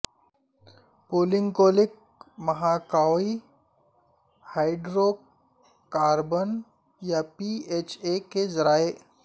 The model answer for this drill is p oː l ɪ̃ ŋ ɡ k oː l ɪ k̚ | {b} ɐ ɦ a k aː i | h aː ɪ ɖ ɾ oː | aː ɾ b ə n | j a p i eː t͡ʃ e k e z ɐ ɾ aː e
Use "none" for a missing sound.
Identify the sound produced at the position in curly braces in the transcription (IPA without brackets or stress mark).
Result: m